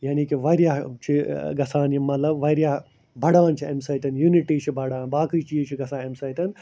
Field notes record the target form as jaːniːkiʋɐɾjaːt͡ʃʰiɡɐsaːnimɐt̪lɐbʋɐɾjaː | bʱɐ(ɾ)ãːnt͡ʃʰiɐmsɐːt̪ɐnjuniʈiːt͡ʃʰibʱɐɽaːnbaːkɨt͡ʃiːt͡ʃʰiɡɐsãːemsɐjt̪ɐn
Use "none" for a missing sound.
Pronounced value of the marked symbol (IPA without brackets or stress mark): ɽ